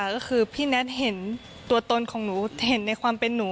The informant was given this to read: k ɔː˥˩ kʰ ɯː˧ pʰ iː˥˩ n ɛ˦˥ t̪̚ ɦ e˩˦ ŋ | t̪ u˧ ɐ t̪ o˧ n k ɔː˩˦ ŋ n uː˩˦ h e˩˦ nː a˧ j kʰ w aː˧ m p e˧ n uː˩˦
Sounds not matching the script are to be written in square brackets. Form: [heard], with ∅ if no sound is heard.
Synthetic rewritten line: k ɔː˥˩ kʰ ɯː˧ pʰ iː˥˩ n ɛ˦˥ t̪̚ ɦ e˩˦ [n] | t̪ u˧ ɐ t̪ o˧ n [kʰ] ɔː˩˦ ŋ n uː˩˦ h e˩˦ nː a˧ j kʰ w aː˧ m p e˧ [nː] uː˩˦